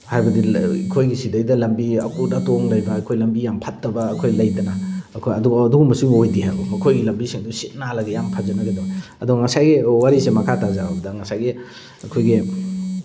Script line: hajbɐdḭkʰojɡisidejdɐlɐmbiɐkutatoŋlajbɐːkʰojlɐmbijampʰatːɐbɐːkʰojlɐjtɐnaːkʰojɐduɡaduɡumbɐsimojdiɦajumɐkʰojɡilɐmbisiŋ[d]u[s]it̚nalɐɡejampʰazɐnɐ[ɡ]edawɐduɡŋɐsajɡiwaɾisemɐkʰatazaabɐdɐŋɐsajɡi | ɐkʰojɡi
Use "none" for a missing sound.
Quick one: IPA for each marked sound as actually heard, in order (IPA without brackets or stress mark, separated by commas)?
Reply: d, s, ɡ